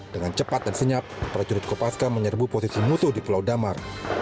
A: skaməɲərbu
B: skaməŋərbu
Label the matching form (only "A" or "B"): A